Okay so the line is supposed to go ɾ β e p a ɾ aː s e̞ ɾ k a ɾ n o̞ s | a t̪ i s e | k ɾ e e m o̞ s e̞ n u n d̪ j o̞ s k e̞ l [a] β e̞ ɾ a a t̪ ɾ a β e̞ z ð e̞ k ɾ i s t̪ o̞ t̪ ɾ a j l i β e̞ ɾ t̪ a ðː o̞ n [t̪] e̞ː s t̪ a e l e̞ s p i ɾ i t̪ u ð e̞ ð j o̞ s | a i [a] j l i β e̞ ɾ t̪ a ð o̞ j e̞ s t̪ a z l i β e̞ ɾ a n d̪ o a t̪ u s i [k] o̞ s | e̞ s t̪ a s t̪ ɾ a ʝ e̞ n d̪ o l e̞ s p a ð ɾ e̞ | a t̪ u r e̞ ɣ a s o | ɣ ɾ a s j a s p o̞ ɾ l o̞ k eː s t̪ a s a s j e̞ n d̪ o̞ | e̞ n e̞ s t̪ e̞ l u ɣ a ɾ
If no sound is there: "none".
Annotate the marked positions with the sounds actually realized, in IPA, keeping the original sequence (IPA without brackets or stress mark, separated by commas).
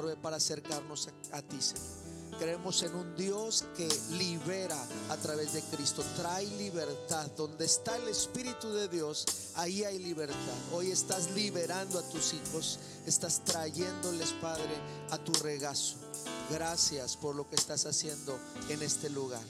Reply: i, d̪, a, x